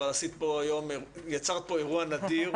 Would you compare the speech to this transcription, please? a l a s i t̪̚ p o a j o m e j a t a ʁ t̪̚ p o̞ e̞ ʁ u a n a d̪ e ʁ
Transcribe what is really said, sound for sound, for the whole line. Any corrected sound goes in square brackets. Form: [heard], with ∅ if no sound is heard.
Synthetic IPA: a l a s i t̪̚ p o a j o m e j a [t͡s] a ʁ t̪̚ p o̞ e̞ ʁ u a n a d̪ [i] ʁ